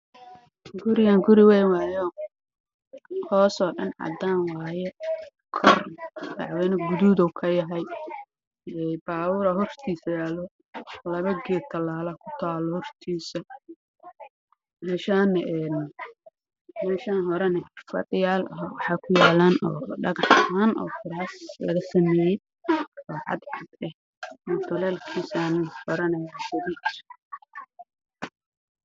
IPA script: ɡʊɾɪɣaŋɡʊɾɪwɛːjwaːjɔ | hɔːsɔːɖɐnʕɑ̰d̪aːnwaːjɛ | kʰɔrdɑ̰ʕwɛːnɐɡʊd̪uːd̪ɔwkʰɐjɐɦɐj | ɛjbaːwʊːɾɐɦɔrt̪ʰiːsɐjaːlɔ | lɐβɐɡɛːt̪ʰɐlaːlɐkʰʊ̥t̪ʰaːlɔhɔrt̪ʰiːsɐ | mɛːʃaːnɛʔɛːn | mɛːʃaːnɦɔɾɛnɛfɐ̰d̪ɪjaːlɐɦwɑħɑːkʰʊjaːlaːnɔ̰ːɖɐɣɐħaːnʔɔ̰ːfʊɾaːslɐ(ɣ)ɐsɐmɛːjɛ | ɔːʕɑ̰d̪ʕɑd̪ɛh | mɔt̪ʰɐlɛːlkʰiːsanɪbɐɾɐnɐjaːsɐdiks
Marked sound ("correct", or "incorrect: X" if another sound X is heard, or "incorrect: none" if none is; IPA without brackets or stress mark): correct